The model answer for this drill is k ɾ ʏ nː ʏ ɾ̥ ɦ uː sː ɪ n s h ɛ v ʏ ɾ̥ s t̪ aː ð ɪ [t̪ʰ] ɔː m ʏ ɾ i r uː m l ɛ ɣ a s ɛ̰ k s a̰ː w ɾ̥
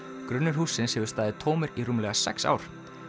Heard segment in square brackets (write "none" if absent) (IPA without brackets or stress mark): t̪ʰ